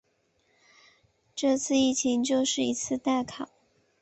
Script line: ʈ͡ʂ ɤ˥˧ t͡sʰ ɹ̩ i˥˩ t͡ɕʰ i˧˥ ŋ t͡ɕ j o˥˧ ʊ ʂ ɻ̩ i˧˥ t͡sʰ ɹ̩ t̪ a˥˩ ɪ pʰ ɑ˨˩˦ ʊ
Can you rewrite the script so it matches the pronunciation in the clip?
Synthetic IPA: ʈ͡ʂ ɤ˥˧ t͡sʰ ɹ̩ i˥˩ t͡ɕʰ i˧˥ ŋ t͡ɕ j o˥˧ ʊ ʂ ɻ̩ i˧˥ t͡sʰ ɹ̩ t̪ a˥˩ ɪ kʰ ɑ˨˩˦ ʊ

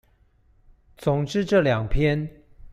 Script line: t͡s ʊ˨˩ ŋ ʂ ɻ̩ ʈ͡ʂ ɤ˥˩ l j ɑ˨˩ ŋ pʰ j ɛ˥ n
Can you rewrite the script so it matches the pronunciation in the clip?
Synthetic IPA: t͡s ʊ˨˩ ŋ ʈ͡ʂ ɻ̩ ʈ͡ʂ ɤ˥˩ l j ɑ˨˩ ŋ pʰ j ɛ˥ n

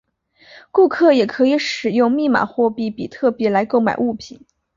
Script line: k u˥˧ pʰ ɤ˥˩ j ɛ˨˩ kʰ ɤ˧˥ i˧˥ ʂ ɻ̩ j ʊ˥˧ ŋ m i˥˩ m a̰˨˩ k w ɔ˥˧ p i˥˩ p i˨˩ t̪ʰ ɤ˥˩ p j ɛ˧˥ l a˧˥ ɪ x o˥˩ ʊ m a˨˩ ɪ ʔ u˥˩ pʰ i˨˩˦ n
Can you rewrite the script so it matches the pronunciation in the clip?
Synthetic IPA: k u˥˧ kʰ ɤ˥˩ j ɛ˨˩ kʰ ɤ˧˥ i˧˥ ʂ ɻ̩ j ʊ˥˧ ŋ m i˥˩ m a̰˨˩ x w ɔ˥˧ p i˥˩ p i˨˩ t̪ʰ ɤ˥˩ p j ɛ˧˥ l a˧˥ ɪ k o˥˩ ʊ m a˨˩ ɪ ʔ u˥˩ pʰ i˨˩˦ n

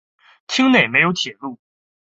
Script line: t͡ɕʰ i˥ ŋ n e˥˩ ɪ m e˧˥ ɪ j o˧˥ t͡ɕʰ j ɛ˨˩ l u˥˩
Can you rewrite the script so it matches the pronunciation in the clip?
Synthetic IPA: t͡ɕʰ i˥ ŋ n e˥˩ ɪ m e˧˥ ɪ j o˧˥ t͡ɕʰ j ɛ˨˩ l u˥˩

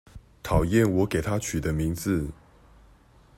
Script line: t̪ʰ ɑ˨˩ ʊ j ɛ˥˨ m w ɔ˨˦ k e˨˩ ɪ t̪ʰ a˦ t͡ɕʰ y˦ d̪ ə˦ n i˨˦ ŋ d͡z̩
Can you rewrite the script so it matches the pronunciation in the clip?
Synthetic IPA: t̪ʰ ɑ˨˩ ʊ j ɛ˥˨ n w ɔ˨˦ k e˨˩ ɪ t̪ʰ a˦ t͡ɕʰ y˨˩ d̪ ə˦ m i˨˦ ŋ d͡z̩

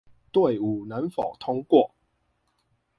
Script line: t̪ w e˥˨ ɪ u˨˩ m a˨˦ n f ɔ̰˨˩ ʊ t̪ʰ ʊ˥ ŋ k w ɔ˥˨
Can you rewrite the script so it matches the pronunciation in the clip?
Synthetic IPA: t̪ w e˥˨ ɪ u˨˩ n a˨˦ n f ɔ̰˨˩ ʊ t̪ʰ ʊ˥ ŋ k w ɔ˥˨

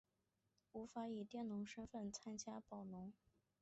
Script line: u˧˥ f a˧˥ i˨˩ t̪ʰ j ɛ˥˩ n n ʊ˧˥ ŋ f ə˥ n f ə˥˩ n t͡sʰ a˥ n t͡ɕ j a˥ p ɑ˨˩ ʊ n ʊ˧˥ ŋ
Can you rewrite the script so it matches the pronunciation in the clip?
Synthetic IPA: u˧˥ f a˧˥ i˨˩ t̪ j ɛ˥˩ n n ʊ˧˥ ŋ ʂ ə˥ n f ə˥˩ n t͡sʰ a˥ n t͡ɕ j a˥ p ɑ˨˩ ʊ n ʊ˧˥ ŋ

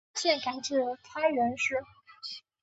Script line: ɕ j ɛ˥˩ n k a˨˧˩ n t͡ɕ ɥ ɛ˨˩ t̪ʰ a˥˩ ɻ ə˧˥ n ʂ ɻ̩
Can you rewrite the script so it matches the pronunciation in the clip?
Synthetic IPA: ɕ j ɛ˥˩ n k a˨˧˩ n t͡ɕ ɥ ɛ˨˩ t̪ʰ a˥ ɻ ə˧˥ n ʂ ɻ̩

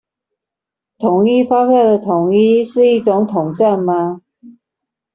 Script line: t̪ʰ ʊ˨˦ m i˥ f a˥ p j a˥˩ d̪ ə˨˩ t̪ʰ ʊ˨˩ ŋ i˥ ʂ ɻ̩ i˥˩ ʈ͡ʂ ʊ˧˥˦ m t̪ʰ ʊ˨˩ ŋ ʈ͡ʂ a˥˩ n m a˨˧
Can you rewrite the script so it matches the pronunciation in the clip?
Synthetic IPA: t̪ʰ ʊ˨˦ ŋ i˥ f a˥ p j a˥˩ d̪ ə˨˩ t̪ʰ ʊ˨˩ ŋ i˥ ʂ ɻ̩ i˥˩ ʈ͡ʂ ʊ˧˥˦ ŋ t̪ʰ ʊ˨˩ ŋ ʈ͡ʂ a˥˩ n m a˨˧

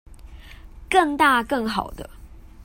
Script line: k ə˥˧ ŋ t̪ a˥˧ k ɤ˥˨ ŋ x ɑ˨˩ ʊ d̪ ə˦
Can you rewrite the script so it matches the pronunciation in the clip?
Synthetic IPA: k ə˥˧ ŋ t̪ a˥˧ k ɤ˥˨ ŋ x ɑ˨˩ ʊ d̪ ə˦

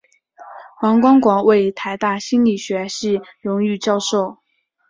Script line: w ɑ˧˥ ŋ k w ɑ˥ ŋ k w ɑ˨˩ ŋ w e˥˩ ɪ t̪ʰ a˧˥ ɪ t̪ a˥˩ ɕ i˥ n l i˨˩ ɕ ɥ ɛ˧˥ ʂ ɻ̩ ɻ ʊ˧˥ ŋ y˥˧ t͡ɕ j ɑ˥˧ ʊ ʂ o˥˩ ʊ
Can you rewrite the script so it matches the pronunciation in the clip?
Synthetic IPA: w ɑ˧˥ ŋ k w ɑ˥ ŋ k w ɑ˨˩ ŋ w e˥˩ ɪ t̪ʰ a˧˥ ɪ t̪ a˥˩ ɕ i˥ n l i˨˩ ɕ ɥ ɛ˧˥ ʂ ɻ̩ ɻ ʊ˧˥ ŋ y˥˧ t͡ɕ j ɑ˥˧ ʊ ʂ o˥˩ ʊ

